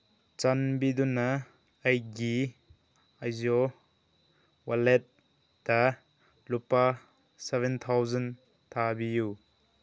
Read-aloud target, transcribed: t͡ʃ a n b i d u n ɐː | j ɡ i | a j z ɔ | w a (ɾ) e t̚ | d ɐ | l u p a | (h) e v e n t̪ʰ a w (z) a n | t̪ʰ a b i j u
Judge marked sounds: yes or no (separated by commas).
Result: no, no, yes